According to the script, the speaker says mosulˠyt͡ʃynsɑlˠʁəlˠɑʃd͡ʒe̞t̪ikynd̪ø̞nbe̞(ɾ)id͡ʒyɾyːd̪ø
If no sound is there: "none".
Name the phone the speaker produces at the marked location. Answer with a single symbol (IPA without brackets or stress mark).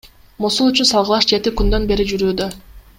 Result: ɾ